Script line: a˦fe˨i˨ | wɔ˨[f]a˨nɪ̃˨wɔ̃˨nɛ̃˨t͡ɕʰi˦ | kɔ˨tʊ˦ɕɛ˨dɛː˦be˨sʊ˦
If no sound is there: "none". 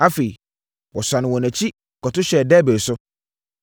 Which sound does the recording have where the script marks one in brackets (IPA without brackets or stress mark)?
s